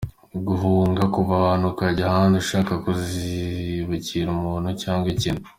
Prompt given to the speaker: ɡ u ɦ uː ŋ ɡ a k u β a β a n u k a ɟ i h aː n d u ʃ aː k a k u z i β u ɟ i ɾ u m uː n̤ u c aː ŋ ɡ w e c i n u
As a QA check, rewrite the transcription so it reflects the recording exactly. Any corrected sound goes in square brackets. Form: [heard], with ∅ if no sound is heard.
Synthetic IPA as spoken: ɡ u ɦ uː ŋ ɡ a k u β a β a n u k a ɟ [a] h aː n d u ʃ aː k a k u z i β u [c] i ɾ u m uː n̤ u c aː ŋ ɡ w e c i n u